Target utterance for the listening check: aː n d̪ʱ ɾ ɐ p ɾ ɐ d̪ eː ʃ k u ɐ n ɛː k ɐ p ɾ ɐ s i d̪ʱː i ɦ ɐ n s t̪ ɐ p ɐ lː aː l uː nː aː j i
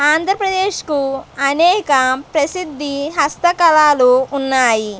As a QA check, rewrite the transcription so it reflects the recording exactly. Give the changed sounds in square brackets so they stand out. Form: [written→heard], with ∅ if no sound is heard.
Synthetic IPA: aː n d̪ʱ ɾ ɐ p ɾ ɐ d̪ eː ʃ k u ɐ n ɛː k ɐ p ɾ ɐ s i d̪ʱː i ɦ ɐ [n→∅] s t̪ ɐ [p→k] ɐ [lː→l] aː l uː nː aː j i